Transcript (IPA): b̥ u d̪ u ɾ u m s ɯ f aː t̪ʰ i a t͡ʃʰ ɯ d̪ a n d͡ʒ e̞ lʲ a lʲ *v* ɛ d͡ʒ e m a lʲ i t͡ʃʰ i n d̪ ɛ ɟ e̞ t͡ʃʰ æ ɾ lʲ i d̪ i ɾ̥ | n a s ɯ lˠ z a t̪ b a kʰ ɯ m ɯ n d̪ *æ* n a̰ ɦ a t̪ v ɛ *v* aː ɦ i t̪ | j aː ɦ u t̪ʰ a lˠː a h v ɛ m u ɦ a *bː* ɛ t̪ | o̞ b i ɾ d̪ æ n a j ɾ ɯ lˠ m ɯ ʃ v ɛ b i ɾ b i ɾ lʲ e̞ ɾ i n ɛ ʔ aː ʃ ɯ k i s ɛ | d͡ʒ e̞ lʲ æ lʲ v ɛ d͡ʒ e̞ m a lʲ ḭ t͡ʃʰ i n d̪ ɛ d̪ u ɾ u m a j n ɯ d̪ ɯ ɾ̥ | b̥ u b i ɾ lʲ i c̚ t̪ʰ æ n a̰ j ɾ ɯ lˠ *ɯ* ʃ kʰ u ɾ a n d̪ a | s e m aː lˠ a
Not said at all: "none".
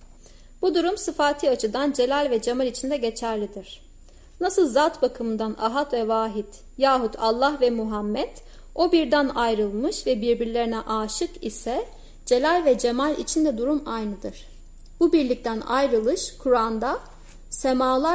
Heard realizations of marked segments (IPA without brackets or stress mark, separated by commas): v, a, v, mː, ɯ